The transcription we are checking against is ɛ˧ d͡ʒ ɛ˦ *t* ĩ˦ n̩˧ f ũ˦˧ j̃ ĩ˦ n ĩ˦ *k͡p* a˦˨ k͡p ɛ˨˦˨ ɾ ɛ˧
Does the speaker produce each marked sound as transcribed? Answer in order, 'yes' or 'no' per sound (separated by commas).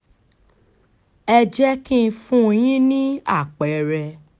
no, no